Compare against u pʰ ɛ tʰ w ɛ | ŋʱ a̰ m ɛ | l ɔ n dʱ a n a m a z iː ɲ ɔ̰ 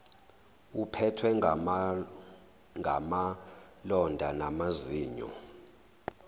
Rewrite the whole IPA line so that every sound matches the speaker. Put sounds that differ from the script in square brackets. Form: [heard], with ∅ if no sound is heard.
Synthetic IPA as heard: u pʰ ɛ tʰ w ɛ | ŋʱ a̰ m [a] | l ɔ n dʱ a n a m a z iː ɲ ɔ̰

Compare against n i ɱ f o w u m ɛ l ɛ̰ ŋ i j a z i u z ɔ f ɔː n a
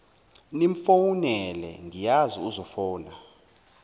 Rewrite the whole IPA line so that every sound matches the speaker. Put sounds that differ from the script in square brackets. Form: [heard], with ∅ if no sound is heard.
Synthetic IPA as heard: n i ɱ f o w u [n] ɛ l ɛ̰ ŋ i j a z i u z ɔ f ɔː n a

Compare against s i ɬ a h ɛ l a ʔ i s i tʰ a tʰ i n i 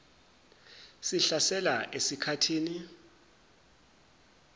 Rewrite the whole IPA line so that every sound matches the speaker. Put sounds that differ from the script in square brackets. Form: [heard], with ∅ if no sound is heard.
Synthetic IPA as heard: s i ɬ a [s] ɛ l a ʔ [e] s i [kʰ] a tʰ [iː] n i

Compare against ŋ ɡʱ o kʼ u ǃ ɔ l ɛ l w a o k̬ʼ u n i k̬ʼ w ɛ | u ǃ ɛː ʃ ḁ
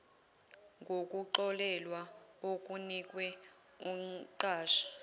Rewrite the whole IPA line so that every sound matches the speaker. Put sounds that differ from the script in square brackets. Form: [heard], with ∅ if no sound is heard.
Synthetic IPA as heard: ŋ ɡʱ o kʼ u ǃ ɔ l ɛ l w a o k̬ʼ u n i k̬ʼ w ɛ | u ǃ [aː] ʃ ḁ

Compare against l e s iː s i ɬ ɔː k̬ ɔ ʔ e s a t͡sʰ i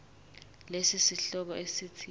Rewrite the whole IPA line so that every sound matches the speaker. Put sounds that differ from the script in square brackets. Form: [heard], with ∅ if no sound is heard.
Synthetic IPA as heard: l e s [i] s i ɬ [ɔ] k̬ ɔ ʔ e s [i] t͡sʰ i

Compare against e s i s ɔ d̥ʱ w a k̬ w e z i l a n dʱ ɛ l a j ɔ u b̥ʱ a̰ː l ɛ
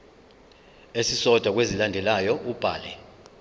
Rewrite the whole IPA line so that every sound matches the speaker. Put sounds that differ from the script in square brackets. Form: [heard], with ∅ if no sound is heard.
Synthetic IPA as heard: e s i s ɔ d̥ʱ w a k̬ w e z i l a n dʱ ɛ l a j ɔ u b̥ʱ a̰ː l ɛ

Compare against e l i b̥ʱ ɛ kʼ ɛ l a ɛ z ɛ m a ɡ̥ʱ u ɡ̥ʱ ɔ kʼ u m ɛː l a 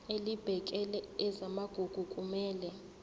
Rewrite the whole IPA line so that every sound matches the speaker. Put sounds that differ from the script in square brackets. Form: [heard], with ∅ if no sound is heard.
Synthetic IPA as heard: e l i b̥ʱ ɛ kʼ ɛ l [ɛ] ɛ z [a] m a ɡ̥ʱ u ɡ̥ʱ [u] kʼ u m ɛː l [ɛ]

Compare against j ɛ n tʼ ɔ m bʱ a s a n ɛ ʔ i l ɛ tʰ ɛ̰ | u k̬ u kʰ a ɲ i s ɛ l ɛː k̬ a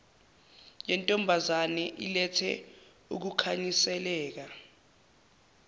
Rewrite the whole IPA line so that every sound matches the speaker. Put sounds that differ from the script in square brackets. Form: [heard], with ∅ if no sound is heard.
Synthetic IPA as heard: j ɛ n tʼ ɔ m bʱ a [z] a n ɛ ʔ i l ɛ tʰ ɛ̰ | u k̬ u kʰ a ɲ i s ɛ l ɛː k̬ a

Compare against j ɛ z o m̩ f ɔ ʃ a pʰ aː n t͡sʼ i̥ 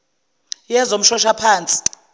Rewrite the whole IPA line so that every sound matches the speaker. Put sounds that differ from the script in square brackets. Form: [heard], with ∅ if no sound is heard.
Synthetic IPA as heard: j ɛ z o m̩ [ʃ] ɔ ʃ a pʰ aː n t͡sʼ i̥

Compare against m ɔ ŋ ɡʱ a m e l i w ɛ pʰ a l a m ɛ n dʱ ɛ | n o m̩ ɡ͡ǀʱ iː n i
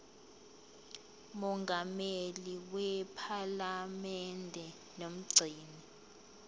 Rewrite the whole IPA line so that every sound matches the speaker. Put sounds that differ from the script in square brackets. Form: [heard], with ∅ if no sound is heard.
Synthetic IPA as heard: m ɔ ŋ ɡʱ a m e l i w ɛ pʰ a l a m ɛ n dʱ ɛ | n o m̩ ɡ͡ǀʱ iː n i

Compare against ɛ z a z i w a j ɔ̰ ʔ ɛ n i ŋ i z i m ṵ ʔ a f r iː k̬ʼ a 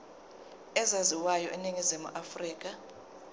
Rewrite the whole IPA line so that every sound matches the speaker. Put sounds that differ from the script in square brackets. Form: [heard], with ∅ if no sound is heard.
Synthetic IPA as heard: ɛ z a z i w a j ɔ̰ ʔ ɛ n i ŋ i z i m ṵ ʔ a f r iː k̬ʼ a

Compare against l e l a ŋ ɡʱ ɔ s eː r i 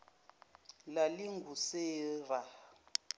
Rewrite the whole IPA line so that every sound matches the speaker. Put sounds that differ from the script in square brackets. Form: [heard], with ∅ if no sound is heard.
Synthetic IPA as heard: l [a] l [i] ŋ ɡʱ [u] s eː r [a]

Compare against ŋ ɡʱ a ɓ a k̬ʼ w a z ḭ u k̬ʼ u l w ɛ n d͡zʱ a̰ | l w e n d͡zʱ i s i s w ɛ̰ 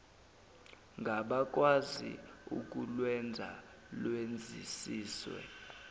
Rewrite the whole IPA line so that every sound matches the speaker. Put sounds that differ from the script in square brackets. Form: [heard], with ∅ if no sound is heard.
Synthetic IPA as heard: ŋ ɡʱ a ɓ a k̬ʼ w a z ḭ u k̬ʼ u l w ɛ n d͡zʱ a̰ | l w e n d͡zʱ i s [iː] s w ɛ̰

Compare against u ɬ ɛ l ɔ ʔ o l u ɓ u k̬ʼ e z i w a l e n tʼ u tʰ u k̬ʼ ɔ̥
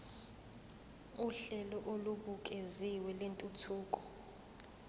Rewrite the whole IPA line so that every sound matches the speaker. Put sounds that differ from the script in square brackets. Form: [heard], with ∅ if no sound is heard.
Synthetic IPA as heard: u ɬ ɛ l ɔ ʔ o l u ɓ u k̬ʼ e z i w [ɛ] l e n tʼ u tʰ [uː] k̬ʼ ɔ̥

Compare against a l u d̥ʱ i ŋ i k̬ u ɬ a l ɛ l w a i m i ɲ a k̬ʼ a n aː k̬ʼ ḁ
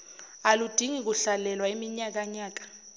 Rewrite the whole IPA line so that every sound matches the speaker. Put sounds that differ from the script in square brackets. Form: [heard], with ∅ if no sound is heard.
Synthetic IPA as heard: a l u d̥ʱ i ŋ i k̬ u ɬ a l ɛ l w a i m i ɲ a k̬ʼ a [ɲ] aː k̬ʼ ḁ

